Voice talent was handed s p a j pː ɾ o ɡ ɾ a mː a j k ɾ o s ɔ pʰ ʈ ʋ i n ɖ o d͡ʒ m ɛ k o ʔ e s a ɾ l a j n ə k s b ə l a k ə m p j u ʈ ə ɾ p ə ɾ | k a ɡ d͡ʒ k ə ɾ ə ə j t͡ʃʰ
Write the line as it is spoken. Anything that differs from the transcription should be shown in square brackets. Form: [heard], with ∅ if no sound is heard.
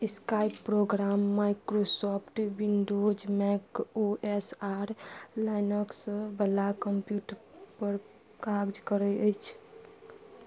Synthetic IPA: s [k] a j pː ɾ o ɡ ɾ a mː a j k ɾ o s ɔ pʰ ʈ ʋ i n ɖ o d͡ʒ m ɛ k o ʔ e s a ɾ l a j n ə k s b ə l a k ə m p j u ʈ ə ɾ p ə ɾ | k a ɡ d͡ʒ k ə ɾ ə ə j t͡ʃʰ